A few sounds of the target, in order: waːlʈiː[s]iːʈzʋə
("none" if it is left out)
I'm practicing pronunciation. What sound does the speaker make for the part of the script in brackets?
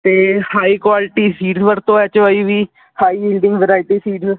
s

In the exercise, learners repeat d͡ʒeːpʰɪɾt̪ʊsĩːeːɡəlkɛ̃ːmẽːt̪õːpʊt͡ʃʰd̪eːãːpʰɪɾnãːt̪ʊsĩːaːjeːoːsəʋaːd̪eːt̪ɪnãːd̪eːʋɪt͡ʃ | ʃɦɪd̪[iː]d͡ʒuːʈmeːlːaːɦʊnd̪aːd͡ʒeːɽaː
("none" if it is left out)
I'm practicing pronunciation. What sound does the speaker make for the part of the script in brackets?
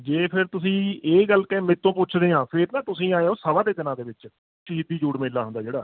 iː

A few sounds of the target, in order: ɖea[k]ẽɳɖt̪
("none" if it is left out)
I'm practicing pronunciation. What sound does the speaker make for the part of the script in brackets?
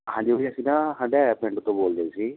p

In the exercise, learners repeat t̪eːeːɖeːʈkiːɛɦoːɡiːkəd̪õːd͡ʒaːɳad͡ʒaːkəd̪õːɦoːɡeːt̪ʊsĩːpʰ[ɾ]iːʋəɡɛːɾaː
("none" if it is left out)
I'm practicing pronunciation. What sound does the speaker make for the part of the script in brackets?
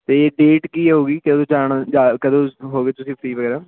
ɾ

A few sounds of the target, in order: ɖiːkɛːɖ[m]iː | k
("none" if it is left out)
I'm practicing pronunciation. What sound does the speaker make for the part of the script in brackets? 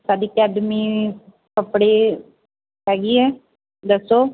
m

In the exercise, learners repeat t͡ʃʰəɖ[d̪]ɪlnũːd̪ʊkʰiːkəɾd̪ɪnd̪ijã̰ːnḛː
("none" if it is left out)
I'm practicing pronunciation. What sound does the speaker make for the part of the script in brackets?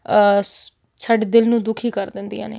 d̪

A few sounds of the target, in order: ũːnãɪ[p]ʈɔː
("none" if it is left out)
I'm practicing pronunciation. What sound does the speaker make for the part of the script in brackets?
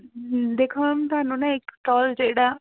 k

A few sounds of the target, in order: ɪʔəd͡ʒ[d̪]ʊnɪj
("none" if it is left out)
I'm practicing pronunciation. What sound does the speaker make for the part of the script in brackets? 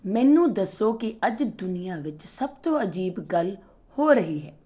d̪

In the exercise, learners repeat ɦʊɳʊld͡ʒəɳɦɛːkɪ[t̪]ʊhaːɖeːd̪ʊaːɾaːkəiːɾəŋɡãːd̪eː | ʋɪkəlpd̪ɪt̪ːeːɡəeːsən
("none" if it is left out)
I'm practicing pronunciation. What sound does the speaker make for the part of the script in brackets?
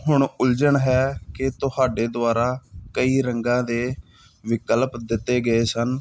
t̪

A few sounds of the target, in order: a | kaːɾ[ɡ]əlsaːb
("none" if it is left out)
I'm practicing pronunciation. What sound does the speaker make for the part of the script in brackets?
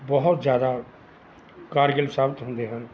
ɡ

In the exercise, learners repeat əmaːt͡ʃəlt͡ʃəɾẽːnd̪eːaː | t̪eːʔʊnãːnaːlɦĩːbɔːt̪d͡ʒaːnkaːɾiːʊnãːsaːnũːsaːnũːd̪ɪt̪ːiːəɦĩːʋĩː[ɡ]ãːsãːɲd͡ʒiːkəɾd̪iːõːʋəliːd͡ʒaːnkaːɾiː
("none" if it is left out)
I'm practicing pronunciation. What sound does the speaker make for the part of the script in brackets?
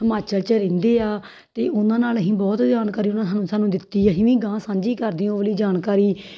ɡ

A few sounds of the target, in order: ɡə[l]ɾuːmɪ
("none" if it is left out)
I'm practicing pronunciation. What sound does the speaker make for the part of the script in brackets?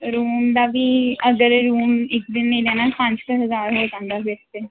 ɾ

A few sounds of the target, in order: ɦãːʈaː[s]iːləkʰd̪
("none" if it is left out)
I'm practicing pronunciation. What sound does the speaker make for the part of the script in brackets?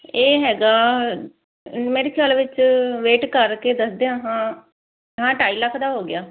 none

